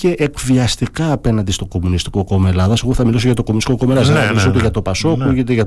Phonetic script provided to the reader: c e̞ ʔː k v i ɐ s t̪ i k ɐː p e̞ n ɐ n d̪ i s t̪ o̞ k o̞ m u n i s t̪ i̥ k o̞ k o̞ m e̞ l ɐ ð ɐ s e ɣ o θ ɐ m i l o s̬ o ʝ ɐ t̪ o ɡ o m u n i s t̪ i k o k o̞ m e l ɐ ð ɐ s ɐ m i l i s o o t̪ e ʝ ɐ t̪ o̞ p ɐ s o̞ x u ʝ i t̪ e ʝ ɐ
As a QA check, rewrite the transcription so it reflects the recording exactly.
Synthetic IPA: c e̞ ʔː k v i ɐ s t̪ i k ɐː p e̞ n ɐ n d̪ i s t̪ o̞ k o̞ m u n i s t̪ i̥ k o̞ k o̞ m e̞ l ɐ ð ɐ s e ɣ o θ ɐ m i l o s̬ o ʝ ɐ t̪ o k o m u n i s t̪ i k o k o̞ m e l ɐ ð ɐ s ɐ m i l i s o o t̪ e ʝ ɐ t̪ o̞ p ɐ s o̞ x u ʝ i t̪ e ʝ ɐ